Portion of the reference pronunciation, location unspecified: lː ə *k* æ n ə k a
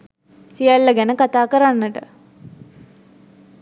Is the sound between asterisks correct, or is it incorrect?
incorrect